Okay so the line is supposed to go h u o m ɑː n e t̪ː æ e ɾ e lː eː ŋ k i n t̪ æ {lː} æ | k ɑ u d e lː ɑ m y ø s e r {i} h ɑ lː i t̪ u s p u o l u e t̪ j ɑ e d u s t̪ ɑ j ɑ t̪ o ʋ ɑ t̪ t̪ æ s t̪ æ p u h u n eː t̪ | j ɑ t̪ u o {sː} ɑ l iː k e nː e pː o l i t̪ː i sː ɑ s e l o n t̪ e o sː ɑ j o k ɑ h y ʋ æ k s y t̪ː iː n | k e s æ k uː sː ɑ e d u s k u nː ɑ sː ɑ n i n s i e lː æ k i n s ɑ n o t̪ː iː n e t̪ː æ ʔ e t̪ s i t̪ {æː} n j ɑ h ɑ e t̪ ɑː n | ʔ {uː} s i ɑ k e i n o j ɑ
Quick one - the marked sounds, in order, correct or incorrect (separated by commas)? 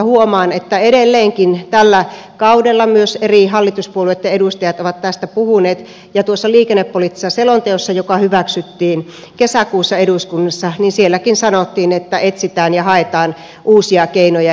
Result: correct, correct, correct, correct, correct